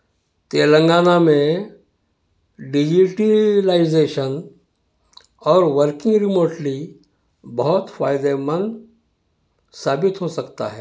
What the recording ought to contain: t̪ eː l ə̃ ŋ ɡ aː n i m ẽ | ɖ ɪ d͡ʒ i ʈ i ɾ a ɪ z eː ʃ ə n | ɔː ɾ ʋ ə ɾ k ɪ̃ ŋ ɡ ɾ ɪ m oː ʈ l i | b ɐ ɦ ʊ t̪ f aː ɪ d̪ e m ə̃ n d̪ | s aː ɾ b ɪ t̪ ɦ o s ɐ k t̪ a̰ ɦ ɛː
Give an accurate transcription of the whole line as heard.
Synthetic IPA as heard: t̪ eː l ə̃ ŋ ɡ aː n a m ẽ | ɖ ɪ d͡ʒ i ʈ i l a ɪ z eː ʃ ə n | ɔː ɾ ʋ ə ɾ k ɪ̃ ŋ ɡ ɾ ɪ m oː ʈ l i | b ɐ ɦ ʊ t̪ f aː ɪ d̪ e m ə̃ n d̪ | s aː b ɪ t̪ ɦ o s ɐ k t̪ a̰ ɦ ɛː